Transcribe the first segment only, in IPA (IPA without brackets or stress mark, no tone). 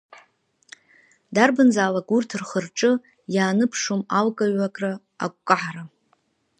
d